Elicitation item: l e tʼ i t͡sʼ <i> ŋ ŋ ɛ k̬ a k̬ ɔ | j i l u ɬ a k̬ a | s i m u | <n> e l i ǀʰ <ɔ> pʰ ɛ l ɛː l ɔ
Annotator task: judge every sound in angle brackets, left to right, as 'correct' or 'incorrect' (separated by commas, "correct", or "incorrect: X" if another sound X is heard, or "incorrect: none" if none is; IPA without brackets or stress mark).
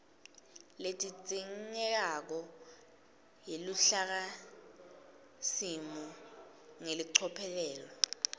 correct, incorrect: ŋ, correct